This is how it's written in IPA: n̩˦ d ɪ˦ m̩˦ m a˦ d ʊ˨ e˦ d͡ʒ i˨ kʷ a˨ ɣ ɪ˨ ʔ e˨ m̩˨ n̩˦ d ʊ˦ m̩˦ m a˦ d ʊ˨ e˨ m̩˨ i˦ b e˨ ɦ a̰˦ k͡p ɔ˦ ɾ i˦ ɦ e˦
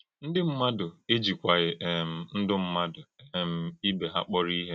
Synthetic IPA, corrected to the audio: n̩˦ d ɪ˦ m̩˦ m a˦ d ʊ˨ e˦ d͡ʒ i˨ kʷ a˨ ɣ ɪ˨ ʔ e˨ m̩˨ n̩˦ d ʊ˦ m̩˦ m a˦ d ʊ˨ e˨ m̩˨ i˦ b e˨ ɦ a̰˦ k͡p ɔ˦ ɾ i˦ ɦ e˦